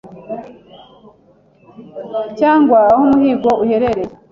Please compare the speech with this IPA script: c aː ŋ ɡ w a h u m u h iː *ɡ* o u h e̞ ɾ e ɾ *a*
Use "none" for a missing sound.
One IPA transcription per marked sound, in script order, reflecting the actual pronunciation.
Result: ɡ, e

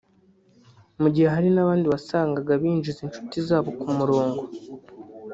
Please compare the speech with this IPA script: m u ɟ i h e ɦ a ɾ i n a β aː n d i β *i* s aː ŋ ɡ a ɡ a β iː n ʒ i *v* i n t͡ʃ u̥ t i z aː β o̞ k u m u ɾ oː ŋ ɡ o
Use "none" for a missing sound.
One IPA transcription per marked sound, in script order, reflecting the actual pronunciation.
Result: a, z

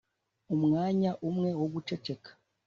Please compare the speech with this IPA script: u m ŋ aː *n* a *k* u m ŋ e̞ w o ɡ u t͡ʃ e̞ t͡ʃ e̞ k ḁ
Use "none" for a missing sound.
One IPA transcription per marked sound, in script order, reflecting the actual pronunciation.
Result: ɲ, ʔ

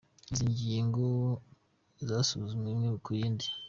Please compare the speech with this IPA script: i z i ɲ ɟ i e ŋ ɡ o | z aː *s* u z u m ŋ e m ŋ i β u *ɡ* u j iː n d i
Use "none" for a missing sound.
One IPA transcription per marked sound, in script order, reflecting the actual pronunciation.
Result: s, k

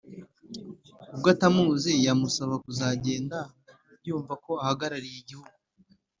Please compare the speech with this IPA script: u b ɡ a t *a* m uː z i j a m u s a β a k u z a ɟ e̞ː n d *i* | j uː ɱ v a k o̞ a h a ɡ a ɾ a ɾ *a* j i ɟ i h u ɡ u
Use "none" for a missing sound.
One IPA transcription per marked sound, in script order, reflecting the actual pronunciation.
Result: a, a, i

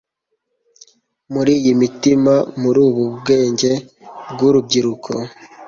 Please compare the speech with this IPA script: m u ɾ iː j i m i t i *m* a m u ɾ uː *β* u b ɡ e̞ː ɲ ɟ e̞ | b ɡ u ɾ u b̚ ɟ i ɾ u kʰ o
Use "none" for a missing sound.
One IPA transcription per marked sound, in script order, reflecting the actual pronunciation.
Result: m, β

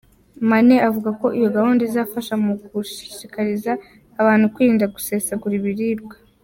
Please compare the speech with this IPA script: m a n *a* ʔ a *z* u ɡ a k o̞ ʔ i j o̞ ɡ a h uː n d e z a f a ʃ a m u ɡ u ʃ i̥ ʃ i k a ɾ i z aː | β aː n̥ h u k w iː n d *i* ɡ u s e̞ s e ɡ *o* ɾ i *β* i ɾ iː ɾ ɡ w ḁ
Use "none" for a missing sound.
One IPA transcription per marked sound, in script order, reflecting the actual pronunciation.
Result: e, v, a, u, β

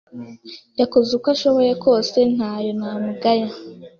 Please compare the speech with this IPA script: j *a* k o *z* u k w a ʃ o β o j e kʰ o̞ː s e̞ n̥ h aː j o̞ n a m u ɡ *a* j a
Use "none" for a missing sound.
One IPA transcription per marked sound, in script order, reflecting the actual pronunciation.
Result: a, z, a

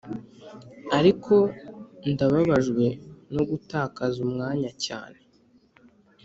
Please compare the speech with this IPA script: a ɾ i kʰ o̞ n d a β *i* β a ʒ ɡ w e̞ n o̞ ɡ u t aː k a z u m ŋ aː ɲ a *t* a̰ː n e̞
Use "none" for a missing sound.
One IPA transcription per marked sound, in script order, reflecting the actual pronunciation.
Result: a, c

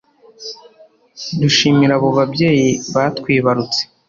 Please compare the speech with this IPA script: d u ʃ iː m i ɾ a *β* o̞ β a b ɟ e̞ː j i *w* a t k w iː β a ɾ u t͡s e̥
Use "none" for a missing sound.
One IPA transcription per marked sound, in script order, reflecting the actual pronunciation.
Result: β, β

